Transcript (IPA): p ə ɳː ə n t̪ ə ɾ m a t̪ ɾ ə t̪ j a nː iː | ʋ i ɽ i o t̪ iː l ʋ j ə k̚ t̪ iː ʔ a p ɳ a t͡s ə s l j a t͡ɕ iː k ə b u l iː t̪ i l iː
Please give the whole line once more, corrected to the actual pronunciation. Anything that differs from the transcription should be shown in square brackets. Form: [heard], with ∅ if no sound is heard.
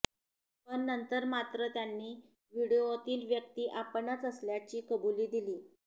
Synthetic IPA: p ə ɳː ə n t̪ ə ɾ m a t̪ ɾ ə t̪ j a nː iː | ʋ i ɽ i o t̪ iː l ʋ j ə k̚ t̪ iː ʔ a p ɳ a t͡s ə s l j a t͡ɕ iː k ə b u l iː [d̪] i l iː